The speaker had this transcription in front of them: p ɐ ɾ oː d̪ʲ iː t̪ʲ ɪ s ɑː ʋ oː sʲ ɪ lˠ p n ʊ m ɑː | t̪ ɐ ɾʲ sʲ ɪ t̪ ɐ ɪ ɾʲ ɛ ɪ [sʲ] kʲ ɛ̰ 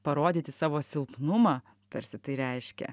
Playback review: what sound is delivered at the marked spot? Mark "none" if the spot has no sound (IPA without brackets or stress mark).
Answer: ʃʲ